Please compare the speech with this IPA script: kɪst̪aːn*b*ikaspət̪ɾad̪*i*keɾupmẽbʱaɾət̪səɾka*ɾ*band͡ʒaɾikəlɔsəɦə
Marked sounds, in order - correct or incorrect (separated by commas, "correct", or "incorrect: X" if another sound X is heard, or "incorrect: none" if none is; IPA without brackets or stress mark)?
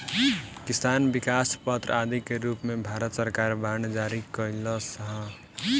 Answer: correct, correct, correct